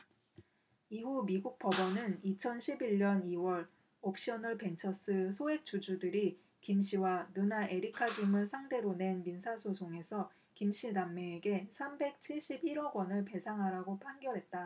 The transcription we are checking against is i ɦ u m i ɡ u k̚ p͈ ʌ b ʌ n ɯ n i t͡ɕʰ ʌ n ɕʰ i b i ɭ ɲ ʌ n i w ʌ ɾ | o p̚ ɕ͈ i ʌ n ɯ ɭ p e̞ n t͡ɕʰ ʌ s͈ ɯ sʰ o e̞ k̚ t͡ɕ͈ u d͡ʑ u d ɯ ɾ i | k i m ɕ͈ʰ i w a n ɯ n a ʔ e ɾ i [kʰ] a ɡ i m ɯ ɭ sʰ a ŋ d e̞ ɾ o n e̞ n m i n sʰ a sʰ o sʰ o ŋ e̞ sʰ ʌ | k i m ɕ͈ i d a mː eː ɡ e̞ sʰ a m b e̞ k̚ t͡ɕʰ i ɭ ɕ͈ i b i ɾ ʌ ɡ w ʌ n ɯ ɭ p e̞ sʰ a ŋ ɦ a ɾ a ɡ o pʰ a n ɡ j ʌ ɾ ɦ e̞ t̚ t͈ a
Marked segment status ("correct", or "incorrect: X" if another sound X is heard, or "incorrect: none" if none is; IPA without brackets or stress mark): correct